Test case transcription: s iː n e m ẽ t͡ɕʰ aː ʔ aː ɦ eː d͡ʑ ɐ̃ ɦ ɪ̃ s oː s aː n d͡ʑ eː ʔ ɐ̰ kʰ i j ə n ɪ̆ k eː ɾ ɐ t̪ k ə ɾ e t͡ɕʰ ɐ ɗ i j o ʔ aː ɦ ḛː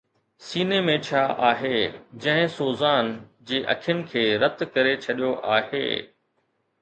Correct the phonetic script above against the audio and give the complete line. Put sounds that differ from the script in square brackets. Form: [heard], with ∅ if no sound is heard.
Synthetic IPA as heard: s iː n e m ẽ t͡ɕʰ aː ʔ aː ɦ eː d͡ʑ ɐ̃ ɦ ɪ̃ s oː [z] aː n d͡ʑ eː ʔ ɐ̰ kʰ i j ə n ɪ̆ [kʰ] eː ɾ ɐ t̪ k [ɐ] ɾ e t͡ɕʰ ɐ ɗ i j o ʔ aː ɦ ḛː